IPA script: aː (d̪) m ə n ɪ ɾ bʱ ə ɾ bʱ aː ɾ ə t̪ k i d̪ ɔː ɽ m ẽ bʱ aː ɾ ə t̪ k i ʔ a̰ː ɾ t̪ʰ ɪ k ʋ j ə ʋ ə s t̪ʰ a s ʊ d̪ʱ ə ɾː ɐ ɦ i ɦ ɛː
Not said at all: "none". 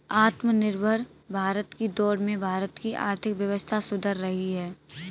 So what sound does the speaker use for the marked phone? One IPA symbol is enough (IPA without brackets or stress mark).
t̪